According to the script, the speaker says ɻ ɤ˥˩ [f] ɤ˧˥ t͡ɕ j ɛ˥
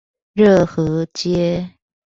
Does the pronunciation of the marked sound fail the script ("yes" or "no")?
yes